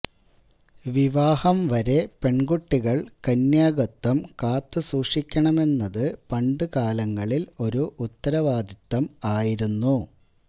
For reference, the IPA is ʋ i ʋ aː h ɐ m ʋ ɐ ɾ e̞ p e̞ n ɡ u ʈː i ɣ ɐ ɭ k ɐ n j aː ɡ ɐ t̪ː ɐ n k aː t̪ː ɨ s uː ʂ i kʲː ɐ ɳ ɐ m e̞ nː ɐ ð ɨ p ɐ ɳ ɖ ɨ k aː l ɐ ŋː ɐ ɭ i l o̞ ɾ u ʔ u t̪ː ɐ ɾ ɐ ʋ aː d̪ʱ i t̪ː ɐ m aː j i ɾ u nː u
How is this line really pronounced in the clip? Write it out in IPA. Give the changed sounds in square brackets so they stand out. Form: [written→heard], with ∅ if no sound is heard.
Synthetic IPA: ʋ i ʋ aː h ɐ m ʋ ɐ ɾ e̞ p e̞ [n→ɳ] ɡ u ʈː i ɣ ɐ ɭ k ɐ n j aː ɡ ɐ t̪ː ɐ [n→m] k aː t̪ː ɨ s uː ʂ i kʲː ɐ ɳ ɐ m e̞ nː ɐ ð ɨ p ɐ ɳ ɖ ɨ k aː l ɐ ŋː ɐ ɭ i l o̞ ɾ u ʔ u t̪ː ɐ ɾ ɐ ʋ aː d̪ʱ i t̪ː ɐ m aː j i ɾ u nː u